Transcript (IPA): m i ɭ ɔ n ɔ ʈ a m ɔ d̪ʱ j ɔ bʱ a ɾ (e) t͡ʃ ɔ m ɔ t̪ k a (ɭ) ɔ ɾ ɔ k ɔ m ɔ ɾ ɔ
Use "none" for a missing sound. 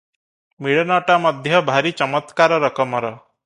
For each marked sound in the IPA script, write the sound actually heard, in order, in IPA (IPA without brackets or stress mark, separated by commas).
i, ɾ